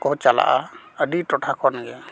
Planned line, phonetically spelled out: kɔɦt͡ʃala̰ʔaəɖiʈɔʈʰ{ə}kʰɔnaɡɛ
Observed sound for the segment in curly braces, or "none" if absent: a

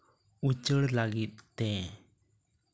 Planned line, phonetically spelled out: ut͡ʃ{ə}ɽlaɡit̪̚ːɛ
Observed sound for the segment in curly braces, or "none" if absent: ə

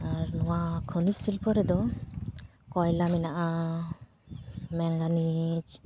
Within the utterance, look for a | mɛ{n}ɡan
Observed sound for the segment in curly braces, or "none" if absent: ŋ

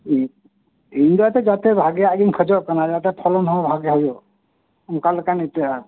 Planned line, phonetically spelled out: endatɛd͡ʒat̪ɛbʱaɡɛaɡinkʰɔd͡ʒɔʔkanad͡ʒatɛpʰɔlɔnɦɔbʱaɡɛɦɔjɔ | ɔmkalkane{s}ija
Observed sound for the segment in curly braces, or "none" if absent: t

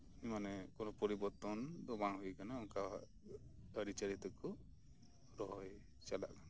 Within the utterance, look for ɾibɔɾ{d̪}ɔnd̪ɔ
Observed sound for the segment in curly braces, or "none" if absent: t̪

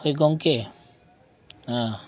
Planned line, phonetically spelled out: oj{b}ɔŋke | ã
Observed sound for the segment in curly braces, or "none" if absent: ɡ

